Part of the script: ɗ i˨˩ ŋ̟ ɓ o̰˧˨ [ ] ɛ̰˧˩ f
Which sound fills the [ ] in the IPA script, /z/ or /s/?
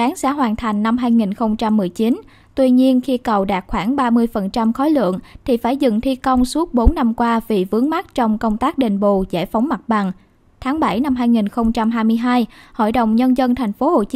z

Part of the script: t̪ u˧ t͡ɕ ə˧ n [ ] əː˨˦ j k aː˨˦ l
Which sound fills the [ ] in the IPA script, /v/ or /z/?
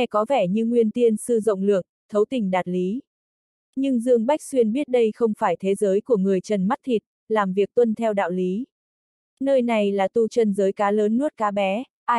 z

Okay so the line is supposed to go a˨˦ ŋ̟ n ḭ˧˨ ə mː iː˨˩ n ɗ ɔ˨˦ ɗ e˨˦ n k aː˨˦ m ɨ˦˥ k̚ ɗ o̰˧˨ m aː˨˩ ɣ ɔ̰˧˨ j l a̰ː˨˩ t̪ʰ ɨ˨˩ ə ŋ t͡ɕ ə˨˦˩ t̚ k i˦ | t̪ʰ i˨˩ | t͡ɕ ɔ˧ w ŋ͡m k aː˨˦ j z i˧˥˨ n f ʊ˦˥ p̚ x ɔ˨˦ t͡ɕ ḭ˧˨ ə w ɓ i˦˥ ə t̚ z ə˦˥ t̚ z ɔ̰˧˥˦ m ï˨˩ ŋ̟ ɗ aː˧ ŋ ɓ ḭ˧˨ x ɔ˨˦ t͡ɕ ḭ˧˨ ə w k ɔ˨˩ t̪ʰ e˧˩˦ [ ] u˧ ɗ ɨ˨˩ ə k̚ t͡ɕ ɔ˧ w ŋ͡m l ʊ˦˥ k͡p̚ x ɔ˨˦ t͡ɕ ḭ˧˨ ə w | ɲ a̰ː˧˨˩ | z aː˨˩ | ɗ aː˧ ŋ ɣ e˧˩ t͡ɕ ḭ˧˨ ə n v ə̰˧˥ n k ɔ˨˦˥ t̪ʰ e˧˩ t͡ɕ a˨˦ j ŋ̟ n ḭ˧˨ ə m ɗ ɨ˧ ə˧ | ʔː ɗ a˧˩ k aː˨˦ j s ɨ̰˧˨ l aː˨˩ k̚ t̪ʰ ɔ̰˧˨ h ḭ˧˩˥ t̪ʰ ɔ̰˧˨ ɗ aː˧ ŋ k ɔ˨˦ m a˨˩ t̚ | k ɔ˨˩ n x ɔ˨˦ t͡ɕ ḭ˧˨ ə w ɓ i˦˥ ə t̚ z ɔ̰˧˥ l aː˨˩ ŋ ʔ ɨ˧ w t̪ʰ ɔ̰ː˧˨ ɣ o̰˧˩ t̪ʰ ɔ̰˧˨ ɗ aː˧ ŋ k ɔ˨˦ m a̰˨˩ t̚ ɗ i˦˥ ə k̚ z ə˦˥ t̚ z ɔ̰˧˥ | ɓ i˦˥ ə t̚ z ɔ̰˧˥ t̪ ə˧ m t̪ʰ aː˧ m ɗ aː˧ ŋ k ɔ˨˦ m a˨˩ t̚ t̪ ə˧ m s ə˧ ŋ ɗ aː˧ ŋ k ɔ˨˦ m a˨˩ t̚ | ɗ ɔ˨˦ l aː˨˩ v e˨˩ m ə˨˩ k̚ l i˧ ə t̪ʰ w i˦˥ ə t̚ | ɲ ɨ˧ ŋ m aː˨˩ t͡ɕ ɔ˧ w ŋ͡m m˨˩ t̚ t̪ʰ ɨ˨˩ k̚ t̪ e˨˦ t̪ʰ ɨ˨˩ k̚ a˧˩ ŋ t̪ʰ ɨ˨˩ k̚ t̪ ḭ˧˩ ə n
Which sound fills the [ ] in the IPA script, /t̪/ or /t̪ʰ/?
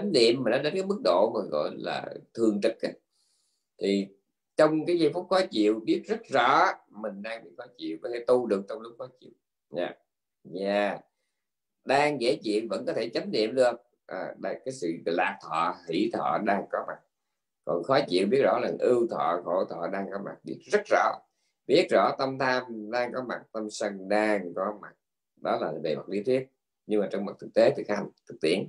t̪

